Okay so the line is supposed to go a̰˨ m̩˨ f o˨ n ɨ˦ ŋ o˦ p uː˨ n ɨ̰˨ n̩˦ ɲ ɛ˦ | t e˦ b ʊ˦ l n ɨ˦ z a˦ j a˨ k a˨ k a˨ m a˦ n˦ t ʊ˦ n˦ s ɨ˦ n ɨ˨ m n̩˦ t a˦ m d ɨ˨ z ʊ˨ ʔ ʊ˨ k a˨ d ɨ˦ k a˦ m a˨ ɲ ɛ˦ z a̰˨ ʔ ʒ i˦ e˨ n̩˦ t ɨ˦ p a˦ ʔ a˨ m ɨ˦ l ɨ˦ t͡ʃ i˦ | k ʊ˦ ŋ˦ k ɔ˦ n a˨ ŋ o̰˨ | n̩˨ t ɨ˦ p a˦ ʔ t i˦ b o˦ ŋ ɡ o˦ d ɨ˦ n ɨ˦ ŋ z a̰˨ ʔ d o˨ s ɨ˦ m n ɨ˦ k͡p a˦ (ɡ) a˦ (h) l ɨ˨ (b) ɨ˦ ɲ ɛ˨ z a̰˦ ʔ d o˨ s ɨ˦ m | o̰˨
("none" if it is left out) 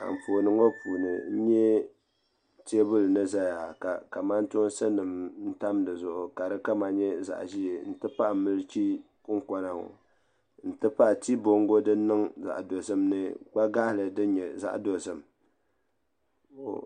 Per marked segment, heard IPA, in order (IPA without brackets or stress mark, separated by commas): ɡ, h, d